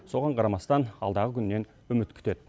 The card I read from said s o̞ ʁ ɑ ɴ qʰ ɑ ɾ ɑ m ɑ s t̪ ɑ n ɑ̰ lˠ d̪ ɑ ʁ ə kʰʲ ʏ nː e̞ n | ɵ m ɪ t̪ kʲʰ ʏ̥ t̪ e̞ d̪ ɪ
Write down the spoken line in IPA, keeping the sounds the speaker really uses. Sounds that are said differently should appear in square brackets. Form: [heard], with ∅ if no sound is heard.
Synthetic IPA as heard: s o̞ ʁ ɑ ɴ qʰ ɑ ɾ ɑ m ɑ s t̪ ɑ n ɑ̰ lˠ d̪ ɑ ʁ ə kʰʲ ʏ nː e̞ n | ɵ m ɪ t̪ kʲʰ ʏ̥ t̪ e̞ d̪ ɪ